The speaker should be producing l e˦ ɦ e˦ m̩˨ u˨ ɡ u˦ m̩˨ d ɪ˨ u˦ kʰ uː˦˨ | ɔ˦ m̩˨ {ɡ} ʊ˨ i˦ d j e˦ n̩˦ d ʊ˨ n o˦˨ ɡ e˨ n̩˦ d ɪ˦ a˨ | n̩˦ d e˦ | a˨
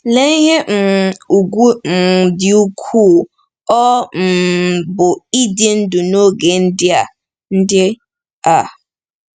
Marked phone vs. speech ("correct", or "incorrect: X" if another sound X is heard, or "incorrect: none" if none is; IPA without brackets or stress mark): incorrect: b